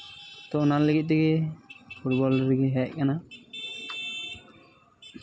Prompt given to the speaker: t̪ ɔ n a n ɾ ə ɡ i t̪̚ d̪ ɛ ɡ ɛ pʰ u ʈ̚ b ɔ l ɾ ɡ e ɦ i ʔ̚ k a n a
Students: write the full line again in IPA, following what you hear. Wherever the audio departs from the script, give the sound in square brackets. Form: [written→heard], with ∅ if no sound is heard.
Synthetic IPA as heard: t̪ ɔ n a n [ɾ→l] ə ɡ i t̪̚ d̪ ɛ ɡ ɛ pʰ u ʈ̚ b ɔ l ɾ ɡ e ɦ [i→ɛ] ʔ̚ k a n a